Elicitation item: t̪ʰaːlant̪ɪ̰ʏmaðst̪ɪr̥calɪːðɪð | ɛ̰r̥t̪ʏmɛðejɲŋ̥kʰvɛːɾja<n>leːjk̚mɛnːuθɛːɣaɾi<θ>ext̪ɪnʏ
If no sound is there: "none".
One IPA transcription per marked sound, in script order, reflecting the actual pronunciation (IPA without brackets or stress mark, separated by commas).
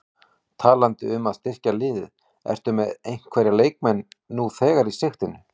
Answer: none, s